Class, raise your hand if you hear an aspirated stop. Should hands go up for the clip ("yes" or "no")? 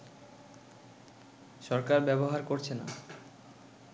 yes